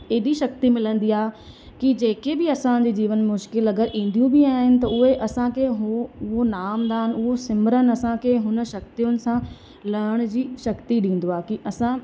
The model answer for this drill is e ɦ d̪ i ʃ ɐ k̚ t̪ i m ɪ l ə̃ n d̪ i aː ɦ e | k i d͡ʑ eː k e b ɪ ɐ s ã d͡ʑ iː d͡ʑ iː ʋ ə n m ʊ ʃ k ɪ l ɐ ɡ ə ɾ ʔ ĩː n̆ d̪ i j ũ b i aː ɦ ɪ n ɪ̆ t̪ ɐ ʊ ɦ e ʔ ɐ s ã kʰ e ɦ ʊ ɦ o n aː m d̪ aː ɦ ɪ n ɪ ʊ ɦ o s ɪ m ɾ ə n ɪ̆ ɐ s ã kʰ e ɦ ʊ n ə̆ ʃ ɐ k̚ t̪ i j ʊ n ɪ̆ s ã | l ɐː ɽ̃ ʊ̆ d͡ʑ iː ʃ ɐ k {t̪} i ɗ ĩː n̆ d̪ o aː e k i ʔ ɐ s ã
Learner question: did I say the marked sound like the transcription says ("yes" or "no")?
yes